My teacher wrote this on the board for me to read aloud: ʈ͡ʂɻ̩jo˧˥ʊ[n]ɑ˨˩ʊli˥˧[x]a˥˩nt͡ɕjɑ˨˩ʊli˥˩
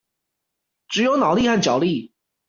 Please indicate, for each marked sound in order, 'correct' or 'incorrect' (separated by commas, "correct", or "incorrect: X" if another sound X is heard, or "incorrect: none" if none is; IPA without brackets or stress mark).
correct, correct